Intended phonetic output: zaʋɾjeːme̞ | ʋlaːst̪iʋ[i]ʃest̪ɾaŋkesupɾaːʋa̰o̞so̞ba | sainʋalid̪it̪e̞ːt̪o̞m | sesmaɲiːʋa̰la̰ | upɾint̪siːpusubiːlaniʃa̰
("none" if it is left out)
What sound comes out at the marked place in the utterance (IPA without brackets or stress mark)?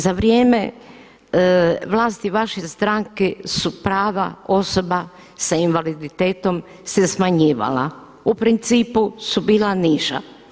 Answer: a